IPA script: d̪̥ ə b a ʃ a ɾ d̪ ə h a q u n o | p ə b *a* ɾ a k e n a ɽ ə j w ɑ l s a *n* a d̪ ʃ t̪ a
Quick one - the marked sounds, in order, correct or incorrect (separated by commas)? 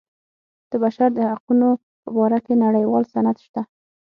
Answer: incorrect, correct